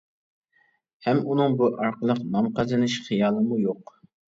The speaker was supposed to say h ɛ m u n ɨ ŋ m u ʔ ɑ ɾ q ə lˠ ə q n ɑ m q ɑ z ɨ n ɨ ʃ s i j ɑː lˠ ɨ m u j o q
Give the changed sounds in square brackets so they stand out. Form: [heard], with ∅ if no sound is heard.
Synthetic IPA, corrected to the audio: h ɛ m u n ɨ ŋ [b] u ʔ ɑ ɾ q ə lˠ ə q n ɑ m q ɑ z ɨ n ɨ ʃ [χ] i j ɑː lˠ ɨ m u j o q